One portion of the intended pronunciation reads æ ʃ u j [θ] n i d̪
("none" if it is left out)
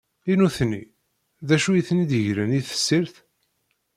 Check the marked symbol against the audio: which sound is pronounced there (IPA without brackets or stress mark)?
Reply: θ